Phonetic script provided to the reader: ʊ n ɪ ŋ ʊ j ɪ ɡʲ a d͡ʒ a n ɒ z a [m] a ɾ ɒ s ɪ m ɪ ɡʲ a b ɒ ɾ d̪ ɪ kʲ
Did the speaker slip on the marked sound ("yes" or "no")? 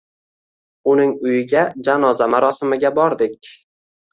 no